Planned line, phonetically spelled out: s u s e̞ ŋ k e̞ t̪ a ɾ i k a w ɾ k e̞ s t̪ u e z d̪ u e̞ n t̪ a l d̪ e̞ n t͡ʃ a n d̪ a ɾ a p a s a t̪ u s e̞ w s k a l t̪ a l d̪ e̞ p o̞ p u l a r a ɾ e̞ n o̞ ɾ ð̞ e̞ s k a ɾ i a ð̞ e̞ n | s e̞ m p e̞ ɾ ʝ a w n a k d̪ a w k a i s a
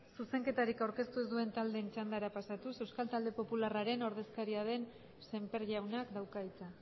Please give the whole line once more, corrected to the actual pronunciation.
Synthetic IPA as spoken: s u s e̞ ŋ k e̞ t̪ a ɾ i k a w ɾ k e̞ s t̪ u e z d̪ u e̞ n t̪ a l d̪ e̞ n t͡ʃ a n d̪ a ɾ a p a s a t̪ u s e̞ w s k a l t̪ a l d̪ e̞ p o̞ p u l a r a ɾ e̞ n o̞ ɾ ð̞ e̞ s k a ɾ i a ð̞ e̞ n | s e̞ m p e̞ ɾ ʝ a w n a k d̪ a w k a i t͡s a